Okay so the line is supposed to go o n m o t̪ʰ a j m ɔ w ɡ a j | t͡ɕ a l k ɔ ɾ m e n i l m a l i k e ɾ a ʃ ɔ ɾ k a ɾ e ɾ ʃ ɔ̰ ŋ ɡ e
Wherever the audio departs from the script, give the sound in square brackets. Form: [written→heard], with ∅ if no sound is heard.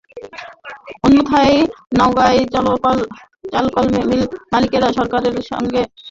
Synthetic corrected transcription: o n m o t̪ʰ a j [m→n] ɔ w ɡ a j | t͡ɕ a l k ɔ [ɾ→l] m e [n→m] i l m a l i k e ɾ a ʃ ɔ ɾ k a ɾ e ɾ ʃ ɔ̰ ŋ ɡ e